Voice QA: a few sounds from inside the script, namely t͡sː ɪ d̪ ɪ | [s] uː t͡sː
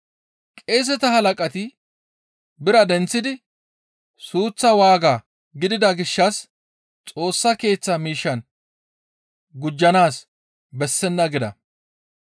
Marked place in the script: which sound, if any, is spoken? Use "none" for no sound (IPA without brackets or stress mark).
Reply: s